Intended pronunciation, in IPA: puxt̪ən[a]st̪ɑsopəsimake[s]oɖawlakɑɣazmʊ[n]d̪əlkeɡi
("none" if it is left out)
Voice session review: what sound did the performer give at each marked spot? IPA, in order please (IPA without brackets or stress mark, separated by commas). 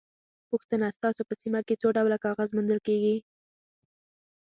a, t͡s, n